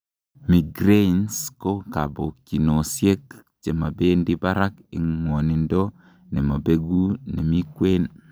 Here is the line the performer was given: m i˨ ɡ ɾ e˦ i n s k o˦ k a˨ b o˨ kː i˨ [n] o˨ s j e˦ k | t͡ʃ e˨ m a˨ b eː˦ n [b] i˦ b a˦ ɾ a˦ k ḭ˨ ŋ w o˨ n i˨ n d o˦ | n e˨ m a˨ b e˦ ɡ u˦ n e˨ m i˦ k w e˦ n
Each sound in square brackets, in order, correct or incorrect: correct, incorrect: d

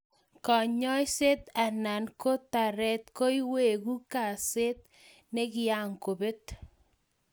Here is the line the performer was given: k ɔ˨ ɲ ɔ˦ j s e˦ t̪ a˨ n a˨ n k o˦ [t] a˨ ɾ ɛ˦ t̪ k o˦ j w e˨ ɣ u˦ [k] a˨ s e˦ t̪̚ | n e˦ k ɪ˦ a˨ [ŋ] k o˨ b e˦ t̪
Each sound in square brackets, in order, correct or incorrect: correct, correct, correct

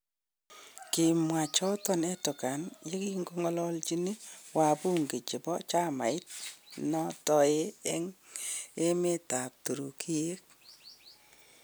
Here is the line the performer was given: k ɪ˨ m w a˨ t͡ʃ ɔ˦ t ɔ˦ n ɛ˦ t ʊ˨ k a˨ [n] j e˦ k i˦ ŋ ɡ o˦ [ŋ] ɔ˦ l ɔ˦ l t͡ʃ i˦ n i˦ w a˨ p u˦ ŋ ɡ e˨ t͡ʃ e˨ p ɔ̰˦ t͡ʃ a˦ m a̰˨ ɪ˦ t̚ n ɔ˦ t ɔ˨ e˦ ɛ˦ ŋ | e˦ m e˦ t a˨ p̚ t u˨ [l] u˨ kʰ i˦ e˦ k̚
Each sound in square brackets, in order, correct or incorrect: correct, correct, incorrect: ɾ

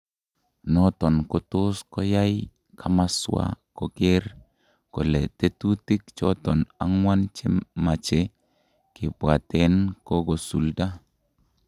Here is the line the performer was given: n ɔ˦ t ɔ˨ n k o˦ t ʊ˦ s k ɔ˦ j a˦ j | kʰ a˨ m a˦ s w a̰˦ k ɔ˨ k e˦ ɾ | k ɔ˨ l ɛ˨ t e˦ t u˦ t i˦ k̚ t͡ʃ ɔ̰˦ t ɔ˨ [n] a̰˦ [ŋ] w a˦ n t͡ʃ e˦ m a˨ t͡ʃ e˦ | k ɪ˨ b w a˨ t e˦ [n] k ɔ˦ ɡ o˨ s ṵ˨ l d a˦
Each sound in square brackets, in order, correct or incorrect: correct, correct, correct

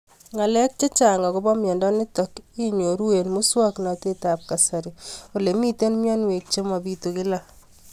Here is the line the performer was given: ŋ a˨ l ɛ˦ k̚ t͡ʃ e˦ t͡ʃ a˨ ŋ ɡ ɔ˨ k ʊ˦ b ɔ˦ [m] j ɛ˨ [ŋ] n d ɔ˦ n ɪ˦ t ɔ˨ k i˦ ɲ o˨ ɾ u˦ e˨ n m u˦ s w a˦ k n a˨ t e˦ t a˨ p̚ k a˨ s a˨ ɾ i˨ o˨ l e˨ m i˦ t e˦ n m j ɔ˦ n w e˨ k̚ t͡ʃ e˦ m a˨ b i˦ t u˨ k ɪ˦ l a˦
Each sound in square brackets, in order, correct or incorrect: correct, incorrect: none

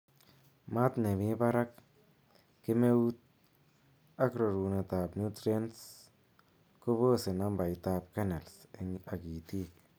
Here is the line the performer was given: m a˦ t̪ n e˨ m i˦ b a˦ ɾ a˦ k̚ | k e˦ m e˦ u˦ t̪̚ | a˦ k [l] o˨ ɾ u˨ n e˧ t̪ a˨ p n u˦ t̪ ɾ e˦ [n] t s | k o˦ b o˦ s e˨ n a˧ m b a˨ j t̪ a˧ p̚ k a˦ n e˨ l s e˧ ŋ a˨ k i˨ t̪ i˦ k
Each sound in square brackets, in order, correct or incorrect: incorrect: ɾ, correct

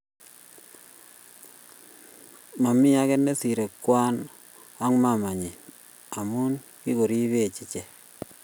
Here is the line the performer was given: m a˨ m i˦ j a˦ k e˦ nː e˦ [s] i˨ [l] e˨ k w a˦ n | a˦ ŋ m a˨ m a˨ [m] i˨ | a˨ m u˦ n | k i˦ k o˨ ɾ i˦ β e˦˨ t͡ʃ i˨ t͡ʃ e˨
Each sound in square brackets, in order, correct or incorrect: correct, incorrect: ɾ, incorrect: ɲ

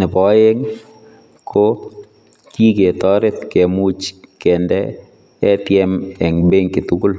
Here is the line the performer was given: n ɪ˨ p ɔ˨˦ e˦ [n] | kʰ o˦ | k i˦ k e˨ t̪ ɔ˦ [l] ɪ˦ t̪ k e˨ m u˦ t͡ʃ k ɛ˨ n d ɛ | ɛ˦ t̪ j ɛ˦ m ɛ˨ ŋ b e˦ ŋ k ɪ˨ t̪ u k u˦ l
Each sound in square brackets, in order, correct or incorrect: incorrect: ŋ, incorrect: ɾ

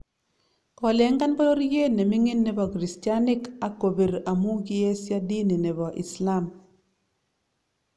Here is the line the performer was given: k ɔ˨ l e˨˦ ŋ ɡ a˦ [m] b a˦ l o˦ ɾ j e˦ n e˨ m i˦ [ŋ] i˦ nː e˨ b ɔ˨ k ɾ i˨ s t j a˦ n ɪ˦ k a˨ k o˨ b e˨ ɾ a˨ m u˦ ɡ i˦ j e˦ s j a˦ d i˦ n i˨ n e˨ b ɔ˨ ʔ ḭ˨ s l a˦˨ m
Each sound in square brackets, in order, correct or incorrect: incorrect: n, correct

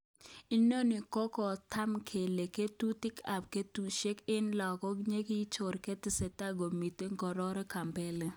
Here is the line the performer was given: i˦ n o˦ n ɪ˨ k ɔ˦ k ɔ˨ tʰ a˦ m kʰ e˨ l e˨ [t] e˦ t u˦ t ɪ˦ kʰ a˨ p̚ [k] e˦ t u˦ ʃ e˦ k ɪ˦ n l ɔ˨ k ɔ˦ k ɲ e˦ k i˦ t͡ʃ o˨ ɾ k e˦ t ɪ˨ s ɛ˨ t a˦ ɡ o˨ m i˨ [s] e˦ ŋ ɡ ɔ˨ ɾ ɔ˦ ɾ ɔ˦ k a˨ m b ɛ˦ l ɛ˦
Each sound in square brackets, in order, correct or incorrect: incorrect: k, correct, incorrect: t

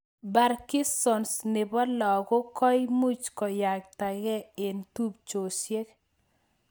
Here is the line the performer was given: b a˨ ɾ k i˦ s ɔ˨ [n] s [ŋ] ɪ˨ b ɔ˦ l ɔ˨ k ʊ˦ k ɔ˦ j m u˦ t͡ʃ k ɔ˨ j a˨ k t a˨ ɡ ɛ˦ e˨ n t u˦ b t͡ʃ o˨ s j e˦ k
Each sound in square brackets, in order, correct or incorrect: correct, incorrect: n

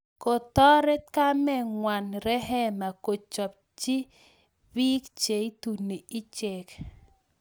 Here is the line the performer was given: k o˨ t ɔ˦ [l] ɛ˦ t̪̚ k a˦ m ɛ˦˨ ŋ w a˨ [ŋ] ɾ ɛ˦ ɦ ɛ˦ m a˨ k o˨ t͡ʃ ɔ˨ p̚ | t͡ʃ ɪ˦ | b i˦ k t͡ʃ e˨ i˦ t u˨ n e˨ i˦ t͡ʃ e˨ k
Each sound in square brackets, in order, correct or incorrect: incorrect: ɾ, incorrect: n

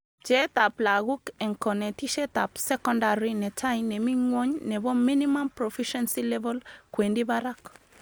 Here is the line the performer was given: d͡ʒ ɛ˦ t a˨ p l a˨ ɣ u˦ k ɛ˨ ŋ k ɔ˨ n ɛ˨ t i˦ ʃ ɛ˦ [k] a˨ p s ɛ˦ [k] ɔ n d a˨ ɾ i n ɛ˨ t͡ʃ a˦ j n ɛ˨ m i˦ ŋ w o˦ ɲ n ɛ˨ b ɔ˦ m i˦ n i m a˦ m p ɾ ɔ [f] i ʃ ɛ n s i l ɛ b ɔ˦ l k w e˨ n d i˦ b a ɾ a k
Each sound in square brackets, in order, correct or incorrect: incorrect: t, correct, correct

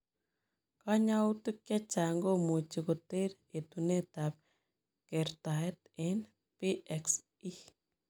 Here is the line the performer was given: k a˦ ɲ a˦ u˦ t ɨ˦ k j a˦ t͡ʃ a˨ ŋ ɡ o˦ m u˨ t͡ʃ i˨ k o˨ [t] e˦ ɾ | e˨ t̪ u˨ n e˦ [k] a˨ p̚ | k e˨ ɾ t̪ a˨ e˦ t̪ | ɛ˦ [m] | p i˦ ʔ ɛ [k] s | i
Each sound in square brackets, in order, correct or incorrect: correct, incorrect: t, incorrect: n, correct

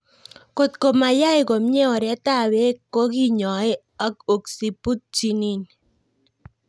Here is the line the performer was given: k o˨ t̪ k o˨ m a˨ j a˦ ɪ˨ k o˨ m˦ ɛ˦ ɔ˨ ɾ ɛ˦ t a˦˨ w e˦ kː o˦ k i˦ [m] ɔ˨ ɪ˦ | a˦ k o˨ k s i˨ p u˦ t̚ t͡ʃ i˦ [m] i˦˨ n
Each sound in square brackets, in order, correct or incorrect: incorrect: ɲ, incorrect: n

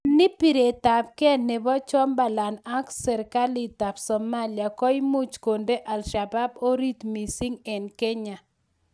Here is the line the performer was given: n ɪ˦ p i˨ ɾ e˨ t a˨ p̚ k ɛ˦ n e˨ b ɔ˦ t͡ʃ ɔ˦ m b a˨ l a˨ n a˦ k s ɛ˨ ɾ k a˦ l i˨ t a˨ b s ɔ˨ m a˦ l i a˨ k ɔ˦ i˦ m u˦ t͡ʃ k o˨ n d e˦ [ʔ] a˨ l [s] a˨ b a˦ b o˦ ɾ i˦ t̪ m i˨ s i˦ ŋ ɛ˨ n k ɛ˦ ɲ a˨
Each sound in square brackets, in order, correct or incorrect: correct, incorrect: ʃ

